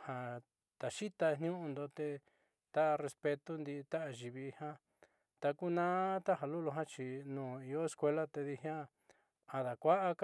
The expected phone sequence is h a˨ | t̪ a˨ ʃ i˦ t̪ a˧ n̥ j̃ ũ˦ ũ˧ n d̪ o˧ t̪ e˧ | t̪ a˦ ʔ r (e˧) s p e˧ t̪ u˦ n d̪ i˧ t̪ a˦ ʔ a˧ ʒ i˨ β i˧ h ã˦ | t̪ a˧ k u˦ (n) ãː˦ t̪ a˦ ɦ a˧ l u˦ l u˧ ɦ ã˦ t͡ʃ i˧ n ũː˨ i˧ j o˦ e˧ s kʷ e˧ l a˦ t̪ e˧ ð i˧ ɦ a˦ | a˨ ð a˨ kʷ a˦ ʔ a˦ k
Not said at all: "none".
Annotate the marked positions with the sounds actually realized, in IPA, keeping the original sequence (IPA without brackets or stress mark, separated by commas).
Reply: e˧, n